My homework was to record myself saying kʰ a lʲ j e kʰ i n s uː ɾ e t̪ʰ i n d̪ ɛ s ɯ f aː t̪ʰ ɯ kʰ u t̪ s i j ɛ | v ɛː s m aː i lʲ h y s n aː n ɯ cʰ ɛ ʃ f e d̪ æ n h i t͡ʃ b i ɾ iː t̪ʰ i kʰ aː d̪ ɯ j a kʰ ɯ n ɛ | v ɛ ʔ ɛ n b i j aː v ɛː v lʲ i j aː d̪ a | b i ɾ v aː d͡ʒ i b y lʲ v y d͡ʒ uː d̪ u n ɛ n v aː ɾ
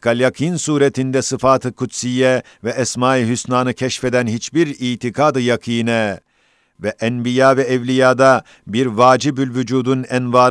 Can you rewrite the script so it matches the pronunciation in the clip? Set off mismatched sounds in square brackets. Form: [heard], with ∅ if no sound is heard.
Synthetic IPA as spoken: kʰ a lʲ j [a] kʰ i n s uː ɾ e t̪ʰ i n d̪ ɛ s ɯ f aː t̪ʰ ɯ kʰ u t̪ s i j ɛ | v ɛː s m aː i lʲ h y s n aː n ɯ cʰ ɛ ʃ f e d̪ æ n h i t͡ʃ b i ɾ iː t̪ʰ i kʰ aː d̪ ɯ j a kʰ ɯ n ɛ | v ɛ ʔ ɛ n b i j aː v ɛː v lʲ i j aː d̪ a | b i ɾ v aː d͡ʒ i b y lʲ v y d͡ʒ uː d̪ u n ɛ n v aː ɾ